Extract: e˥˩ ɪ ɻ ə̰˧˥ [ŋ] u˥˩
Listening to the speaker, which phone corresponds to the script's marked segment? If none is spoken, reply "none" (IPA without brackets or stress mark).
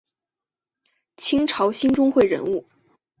n